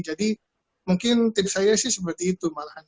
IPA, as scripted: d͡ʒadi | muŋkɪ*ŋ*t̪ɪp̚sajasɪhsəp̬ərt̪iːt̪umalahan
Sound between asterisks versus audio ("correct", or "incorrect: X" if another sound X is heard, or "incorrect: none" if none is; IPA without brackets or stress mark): incorrect: n